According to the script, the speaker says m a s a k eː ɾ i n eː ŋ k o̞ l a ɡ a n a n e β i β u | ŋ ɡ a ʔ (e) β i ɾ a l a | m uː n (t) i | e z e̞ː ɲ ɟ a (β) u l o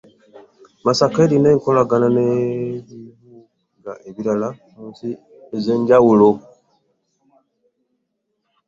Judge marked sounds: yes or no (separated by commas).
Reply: yes, no, no